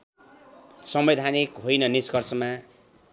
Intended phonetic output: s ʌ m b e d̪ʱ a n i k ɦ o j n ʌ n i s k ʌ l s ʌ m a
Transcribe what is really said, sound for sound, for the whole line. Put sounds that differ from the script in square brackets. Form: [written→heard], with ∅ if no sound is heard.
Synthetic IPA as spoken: s ʌ m b e d̪ʱ a n i k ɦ o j n ʌ n i s k ʌ [l→r] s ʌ m a